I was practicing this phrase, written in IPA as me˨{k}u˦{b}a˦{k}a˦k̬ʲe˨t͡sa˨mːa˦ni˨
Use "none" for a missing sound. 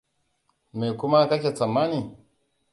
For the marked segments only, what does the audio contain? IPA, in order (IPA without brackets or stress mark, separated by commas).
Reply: k, m, k